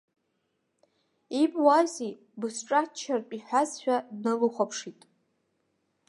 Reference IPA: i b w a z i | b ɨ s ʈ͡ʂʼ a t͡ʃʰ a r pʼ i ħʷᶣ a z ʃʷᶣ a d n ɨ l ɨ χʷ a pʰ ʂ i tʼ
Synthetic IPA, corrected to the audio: i b w a z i | b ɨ s ʈ͡ʂʼ a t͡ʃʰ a r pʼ i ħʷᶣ a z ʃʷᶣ a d n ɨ l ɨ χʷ a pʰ ʂ i tʼ